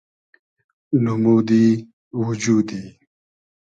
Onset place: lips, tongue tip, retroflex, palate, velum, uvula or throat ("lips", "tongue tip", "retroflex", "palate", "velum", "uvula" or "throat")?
tongue tip